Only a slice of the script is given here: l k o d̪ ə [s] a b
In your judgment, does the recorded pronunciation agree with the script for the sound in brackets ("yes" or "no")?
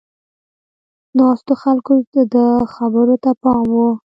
no